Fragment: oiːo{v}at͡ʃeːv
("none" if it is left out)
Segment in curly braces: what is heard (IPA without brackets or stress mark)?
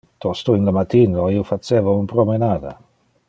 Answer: f